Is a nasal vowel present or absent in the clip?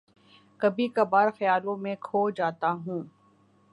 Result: present